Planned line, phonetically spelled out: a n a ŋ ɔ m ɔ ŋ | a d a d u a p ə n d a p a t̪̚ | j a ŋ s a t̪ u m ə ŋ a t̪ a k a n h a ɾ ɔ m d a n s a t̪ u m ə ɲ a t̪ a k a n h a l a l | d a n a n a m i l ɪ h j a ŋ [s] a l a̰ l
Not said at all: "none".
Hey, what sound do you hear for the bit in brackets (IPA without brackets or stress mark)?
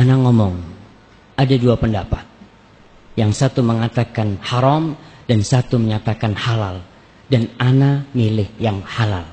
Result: h